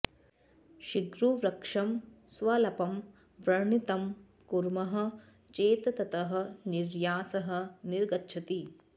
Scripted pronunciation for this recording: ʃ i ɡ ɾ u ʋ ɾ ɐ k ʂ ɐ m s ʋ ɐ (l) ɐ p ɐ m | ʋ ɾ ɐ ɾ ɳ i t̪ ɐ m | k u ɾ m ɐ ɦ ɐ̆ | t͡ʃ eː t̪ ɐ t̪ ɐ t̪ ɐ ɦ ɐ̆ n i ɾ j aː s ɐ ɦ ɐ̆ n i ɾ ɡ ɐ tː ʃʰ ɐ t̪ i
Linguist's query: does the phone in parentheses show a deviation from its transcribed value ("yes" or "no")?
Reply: no